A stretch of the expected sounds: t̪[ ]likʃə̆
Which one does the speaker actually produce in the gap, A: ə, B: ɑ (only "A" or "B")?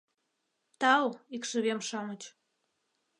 B